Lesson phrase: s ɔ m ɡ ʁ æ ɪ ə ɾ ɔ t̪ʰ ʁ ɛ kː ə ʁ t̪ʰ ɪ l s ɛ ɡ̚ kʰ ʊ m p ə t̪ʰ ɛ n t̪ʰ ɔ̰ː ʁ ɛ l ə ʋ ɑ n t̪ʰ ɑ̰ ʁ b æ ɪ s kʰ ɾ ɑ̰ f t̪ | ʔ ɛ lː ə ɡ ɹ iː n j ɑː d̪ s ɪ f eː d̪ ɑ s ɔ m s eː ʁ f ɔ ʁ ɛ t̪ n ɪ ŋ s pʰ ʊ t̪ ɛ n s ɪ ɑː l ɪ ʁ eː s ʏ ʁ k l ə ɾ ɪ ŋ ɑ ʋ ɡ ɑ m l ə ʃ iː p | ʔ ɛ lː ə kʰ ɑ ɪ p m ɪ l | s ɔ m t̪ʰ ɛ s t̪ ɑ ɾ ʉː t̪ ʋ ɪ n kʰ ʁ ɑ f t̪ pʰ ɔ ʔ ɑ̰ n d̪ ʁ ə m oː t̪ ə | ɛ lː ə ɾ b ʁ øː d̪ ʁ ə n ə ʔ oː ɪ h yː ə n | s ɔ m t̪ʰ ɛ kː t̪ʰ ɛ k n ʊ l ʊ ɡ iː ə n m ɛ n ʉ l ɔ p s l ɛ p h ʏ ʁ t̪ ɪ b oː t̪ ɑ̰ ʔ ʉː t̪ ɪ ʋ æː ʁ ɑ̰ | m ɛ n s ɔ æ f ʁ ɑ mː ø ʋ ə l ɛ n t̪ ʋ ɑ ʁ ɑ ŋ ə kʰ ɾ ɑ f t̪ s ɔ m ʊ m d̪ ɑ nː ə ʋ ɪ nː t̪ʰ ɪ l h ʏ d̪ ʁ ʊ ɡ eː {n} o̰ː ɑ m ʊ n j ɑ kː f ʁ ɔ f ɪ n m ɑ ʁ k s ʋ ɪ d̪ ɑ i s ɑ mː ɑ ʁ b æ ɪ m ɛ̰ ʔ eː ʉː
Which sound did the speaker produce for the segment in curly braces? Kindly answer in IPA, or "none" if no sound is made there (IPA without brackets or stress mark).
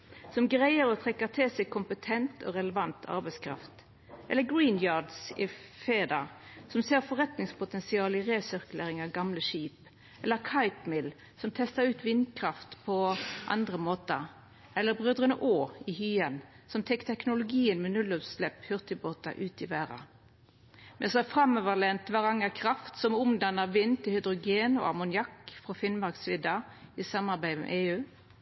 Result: n